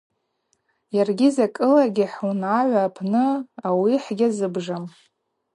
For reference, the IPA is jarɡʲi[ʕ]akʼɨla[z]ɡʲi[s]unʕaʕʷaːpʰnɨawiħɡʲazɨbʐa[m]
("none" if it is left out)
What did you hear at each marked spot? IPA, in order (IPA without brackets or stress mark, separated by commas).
z, none, ħ, m